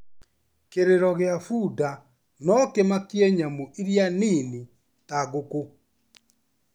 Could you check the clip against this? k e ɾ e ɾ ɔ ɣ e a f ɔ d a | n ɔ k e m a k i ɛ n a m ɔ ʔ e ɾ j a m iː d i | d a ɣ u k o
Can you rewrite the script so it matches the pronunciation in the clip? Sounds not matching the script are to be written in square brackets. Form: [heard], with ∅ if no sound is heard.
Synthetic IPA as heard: k e ɾ e ɾ ɔ ɣ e a f [u] d a | n ɔ k e m a k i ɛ [ɲ] a m [o] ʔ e ɾ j a [n] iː [n] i | [t] a ɣ [o] k o